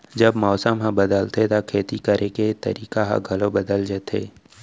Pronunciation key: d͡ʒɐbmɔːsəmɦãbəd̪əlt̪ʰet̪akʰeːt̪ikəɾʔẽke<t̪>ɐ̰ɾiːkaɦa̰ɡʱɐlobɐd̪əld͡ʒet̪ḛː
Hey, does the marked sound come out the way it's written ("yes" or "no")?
yes